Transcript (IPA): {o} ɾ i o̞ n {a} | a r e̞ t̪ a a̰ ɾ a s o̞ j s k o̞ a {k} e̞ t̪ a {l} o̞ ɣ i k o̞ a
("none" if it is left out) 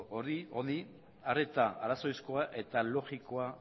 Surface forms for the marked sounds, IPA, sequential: o, i, ʔ, l

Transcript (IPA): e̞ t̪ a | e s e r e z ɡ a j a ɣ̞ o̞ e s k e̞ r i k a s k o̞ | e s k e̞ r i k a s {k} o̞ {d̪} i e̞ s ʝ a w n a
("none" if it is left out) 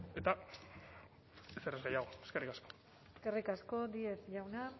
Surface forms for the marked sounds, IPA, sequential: k, d̪

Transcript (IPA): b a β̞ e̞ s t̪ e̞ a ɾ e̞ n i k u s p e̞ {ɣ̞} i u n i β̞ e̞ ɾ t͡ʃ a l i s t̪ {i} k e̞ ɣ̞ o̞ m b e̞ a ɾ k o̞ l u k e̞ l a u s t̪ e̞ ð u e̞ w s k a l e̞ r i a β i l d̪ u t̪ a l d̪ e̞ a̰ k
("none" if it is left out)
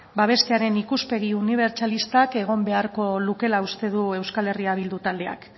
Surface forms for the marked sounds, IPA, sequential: ɣ̞, a

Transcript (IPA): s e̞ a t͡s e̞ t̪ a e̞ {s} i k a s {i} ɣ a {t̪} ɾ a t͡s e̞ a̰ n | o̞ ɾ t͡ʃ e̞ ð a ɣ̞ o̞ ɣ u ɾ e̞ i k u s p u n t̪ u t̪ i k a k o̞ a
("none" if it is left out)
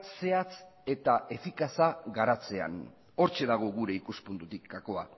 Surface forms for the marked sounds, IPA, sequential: f, a, none

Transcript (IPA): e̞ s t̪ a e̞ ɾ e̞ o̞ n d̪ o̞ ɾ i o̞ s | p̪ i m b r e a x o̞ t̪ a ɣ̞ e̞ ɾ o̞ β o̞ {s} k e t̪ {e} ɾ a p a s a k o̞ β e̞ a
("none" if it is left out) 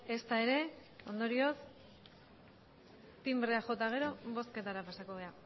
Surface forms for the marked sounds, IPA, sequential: s, a

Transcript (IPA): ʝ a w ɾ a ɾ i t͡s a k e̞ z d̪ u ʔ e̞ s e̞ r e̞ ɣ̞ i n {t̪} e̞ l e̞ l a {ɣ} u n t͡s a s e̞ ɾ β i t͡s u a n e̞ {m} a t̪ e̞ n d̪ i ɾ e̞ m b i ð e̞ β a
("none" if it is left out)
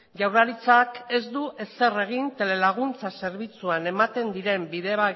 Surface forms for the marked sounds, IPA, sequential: t̪, ɣ, m

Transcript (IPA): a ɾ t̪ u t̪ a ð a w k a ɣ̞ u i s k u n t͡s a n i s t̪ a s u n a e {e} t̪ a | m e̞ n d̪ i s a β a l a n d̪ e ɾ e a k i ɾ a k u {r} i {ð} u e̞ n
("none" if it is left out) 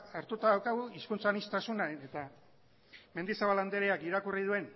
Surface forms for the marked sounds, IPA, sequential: e, r, ð

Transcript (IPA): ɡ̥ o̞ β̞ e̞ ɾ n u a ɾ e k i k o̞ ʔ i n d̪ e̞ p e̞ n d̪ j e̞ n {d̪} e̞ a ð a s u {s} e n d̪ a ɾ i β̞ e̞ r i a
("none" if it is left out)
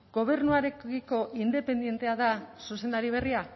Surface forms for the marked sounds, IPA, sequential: t̪, s

